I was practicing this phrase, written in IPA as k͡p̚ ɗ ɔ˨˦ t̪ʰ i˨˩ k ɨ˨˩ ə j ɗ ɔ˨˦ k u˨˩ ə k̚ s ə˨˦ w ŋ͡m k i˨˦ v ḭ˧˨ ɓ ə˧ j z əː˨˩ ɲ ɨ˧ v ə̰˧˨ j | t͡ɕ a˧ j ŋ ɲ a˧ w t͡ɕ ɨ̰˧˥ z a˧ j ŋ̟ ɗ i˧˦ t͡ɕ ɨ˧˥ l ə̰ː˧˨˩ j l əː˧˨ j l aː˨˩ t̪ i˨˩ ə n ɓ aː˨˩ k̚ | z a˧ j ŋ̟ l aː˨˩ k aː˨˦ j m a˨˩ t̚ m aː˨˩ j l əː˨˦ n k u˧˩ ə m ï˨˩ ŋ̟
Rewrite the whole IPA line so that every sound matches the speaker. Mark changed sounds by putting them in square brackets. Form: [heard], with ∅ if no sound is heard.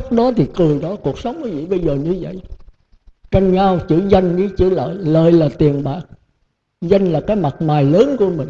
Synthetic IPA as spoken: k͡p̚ ɗ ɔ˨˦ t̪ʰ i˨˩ k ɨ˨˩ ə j ɗ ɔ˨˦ k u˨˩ ə k̚ s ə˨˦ w ŋ͡m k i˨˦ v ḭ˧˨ ɓ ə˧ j z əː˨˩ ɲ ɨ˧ v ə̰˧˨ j | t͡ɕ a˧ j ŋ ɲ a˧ w t͡ɕ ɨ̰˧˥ z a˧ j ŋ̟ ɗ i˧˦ t͡ɕ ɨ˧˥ l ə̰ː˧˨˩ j l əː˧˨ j l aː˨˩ t̪ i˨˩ ə n ɓ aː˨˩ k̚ | z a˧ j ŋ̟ l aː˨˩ k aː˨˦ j m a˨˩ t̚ m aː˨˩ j l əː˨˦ n k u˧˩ ə m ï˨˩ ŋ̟